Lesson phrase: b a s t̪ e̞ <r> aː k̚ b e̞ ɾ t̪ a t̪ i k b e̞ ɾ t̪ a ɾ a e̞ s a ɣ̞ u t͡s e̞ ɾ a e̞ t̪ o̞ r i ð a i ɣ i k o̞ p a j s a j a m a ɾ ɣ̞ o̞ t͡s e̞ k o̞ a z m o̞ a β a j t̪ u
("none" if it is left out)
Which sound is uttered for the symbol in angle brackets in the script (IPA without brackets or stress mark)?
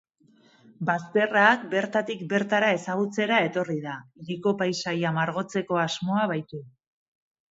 r